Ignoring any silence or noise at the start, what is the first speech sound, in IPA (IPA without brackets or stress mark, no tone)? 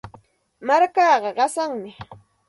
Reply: m